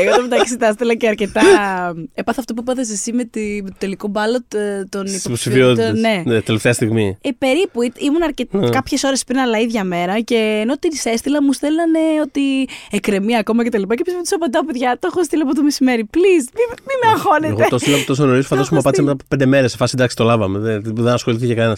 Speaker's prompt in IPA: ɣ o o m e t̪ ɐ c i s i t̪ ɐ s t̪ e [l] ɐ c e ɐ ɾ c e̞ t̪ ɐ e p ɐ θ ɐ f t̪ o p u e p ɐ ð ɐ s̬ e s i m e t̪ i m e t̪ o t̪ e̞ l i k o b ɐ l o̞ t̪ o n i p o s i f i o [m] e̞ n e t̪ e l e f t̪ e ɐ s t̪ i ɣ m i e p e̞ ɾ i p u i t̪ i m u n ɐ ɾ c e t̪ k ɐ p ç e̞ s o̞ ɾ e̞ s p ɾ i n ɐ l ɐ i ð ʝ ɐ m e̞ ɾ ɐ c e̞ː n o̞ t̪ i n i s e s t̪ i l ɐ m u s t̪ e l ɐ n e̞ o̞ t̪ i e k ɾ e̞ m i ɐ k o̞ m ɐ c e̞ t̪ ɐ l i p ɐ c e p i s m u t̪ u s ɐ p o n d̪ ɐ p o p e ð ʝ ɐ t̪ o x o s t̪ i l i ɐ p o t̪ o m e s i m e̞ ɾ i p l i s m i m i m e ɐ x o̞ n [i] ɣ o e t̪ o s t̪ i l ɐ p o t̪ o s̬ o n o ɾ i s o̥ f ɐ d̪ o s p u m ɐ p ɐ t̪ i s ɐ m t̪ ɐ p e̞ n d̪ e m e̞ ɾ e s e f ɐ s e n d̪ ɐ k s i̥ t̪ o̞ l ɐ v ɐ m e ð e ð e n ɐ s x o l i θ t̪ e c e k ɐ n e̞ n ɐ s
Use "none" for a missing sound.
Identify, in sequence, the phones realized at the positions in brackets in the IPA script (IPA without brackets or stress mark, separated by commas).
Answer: l, n, e